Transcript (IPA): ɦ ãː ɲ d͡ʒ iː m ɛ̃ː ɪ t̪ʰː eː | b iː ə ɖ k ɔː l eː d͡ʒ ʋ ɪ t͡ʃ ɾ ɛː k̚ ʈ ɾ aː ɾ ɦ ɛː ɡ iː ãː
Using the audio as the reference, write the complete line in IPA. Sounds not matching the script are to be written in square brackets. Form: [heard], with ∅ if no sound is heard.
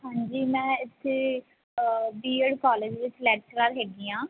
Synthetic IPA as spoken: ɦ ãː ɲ d͡ʒ iː m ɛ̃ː ɪ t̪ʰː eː | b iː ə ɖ k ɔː l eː d͡ʒ ʋ ɪ t͡ʃ [l] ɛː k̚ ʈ ɾ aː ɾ ɦ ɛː ɡ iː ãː

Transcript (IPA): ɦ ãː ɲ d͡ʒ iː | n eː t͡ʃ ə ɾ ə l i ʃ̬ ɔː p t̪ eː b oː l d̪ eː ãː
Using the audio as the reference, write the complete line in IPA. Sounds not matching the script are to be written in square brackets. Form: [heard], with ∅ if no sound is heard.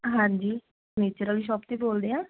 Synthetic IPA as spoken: ɦ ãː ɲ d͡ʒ iː | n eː t͡ʃ ə ɾ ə l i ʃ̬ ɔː p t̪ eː b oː l d̪ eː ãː

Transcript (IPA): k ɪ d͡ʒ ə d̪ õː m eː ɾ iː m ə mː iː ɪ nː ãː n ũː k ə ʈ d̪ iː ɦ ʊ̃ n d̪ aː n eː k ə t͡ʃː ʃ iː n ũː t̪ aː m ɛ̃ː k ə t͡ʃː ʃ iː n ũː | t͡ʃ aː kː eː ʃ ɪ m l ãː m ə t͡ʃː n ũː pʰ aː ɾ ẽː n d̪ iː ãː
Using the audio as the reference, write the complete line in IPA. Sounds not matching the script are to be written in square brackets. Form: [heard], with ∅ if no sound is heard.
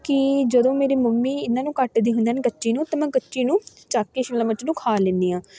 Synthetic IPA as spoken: k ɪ d͡ʒ ə d̪ õː m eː ɾ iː m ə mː iː ɪ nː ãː n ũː k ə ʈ d̪ iː ɦ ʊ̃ n d̪ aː n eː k ə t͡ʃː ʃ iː n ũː t̪ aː m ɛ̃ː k ə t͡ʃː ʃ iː n ũː | t͡ʃ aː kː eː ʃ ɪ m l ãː m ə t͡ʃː n ũː [kʰ] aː [l] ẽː n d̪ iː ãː

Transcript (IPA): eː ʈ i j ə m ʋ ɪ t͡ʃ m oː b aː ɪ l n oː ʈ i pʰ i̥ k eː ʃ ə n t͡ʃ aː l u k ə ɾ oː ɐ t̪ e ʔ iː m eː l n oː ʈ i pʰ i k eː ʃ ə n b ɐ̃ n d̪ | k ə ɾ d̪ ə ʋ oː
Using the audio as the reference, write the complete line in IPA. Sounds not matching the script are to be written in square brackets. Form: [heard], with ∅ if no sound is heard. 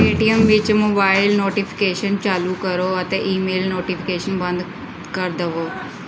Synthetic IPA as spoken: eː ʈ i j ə m ʋ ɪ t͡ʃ m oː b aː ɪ l n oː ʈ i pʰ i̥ k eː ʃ ə n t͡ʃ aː l u k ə ɾ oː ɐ t̪ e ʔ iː m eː l n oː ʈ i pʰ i k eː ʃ ə n b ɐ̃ n d̪ | k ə ɾ d̪ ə ʋ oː

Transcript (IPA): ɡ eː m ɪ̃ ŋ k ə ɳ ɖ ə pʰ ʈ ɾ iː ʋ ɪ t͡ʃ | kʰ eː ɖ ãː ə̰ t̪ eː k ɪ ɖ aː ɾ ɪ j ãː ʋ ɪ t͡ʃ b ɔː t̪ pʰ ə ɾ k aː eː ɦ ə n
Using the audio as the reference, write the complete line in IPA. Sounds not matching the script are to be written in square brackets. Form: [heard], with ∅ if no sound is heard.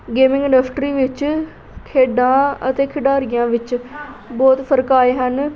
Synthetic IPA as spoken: ɡ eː m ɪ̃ ŋ [ɡ] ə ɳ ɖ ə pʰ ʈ ɾ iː ʋ ɪ t͡ʃ | kʰ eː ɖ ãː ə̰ t̪ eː [kʰ] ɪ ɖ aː ɾ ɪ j ãː ʋ ɪ t͡ʃ b ɔː t̪ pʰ ə ɾ k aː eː ɦ ə n

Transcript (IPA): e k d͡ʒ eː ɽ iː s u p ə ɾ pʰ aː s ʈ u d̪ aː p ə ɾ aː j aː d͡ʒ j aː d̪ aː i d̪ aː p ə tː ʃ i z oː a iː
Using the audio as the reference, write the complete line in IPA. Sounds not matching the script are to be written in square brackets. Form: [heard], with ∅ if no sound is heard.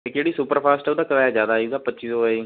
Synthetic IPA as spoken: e k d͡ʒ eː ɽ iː s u p ə ɾ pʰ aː s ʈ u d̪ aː [k] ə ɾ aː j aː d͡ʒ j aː d̪ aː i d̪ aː p ə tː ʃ i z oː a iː

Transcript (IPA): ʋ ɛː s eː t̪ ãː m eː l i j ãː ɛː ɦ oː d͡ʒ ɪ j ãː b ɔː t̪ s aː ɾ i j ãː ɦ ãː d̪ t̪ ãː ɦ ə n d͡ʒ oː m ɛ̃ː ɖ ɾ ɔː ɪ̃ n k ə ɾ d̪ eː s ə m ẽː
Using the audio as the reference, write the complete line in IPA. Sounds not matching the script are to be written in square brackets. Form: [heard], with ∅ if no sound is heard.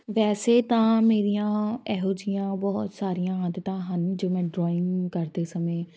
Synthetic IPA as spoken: ʋ ɛː s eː t̪ ãː m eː [ɾ] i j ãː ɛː ɦ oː d͡ʒ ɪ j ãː b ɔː t̪ s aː ɾ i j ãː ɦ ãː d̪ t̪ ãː ɦ ə n d͡ʒ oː m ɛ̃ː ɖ ɾ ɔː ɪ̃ [ŋ] k ə ɾ d̪ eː s ə m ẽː

